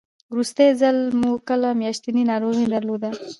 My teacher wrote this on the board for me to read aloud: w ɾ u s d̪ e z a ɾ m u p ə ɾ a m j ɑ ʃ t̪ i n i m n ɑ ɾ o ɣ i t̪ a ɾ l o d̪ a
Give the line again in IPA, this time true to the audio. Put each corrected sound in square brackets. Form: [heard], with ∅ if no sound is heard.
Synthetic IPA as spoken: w ɾ u s [t̪] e z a [l] m u [k] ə [l] a m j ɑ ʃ t̪ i n i [∅] n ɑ ɾ o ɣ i [d̪] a ɾ l o d̪ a